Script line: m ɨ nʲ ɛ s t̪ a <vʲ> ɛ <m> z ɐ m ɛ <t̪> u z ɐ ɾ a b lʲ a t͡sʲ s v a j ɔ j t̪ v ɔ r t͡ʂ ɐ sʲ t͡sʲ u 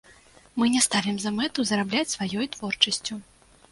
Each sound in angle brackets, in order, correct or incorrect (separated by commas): correct, correct, correct